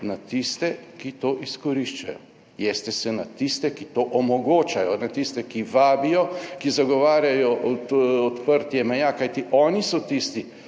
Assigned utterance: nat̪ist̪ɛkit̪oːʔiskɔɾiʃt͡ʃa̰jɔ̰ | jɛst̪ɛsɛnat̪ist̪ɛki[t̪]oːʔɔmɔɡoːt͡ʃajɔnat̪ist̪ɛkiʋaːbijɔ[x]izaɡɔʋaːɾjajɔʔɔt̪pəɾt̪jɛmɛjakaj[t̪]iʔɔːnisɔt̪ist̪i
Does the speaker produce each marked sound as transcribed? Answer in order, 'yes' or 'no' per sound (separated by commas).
yes, no, yes